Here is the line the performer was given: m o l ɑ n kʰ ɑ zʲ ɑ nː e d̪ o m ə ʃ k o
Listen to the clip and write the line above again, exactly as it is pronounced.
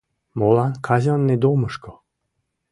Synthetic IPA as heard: m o l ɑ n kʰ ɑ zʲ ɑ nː e d̪ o m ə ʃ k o